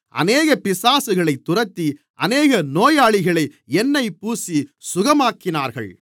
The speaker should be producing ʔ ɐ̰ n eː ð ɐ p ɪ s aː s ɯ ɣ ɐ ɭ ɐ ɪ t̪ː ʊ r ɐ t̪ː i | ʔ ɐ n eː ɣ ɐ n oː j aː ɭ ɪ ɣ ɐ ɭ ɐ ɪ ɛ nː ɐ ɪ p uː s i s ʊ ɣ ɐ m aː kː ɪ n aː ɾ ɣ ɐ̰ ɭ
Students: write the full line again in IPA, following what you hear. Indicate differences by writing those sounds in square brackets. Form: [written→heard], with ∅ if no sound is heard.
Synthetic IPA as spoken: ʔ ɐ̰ n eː [ð→ɣ] ɐ p ɪ s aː s ɯ ɣ ɐ ɭ ɐ ɪ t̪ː ʊ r ɐ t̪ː i | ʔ ɐ n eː ɣ ɐ n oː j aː ɭ ɪ ɣ ɐ ɭ ɐ ɪ ɛ nː ɐ ɪ p uː s i s ʊ ɣ ɐ m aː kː ɪ n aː ɾ ɣ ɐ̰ ɭ